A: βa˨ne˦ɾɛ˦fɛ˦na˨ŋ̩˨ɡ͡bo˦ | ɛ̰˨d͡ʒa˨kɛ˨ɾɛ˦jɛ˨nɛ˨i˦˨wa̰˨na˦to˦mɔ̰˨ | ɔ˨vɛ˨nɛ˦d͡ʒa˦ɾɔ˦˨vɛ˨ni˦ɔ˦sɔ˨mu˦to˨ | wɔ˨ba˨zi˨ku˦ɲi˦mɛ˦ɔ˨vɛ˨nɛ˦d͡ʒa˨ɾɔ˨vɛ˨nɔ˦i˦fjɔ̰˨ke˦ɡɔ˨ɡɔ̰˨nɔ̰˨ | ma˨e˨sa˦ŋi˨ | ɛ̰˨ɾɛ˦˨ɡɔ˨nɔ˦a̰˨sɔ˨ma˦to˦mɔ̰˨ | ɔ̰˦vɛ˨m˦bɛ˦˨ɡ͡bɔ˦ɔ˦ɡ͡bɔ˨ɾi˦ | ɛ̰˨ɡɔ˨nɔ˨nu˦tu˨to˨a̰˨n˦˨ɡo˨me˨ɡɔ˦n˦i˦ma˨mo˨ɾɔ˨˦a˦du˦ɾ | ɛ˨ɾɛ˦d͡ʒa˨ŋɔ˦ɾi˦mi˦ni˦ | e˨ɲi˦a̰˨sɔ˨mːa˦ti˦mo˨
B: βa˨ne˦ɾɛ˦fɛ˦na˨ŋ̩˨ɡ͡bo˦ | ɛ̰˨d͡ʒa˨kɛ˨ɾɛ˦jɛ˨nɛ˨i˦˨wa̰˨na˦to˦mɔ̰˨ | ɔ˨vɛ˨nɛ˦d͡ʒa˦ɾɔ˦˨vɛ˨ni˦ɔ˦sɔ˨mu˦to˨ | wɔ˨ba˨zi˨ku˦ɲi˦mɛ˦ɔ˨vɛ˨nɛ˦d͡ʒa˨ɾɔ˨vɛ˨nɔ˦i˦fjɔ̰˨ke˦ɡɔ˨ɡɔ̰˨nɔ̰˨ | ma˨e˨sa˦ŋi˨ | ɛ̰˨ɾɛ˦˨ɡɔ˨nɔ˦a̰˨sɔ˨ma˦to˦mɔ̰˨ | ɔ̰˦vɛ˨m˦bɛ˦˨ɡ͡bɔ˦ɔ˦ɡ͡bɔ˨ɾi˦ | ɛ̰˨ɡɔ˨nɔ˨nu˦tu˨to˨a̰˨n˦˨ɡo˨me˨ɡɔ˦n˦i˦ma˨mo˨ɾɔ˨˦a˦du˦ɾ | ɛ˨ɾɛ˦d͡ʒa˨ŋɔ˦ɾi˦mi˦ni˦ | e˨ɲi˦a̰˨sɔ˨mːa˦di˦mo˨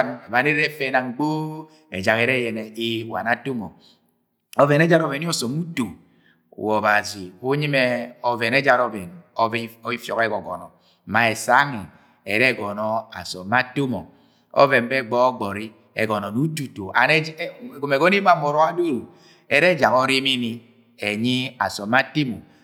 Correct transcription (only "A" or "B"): A